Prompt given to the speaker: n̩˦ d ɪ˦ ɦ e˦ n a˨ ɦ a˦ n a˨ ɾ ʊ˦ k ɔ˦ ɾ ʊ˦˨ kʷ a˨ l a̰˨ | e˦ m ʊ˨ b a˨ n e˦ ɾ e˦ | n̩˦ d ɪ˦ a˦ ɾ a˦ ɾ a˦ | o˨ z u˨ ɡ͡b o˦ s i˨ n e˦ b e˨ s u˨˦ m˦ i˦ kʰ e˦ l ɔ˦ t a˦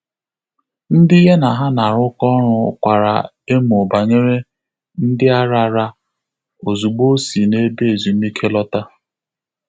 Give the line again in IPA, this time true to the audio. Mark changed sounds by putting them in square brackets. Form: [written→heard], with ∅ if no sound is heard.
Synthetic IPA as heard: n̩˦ d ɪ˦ ɦ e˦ n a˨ ɦ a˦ n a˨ ɾ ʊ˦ k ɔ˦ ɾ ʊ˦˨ kʷ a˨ [l→ɾ] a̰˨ | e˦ m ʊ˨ b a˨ [n→ɲ] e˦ ɾ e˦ | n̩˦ d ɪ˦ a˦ ɾ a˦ ɾ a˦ | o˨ z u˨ ɡ͡b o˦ s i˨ n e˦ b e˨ [s→z] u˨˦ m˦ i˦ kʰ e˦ l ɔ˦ t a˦